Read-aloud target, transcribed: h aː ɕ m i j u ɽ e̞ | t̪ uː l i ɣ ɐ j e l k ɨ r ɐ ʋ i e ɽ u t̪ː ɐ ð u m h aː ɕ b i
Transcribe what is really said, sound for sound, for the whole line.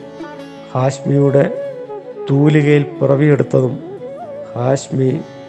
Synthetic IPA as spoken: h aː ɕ m i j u ɽ e̞ | t̪ uː l i ɣ ɐ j i l p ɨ r ɐ ʋ i e ɽ u t̪ː ɐ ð u m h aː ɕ m i